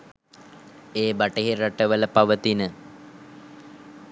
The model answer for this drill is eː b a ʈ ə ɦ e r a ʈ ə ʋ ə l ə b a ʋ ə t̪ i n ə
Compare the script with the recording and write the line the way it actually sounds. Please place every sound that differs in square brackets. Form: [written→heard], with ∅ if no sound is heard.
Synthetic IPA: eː b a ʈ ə ɦ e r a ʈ ə ʋ ə l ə [b→p] a ʋ ə t̪ i n ə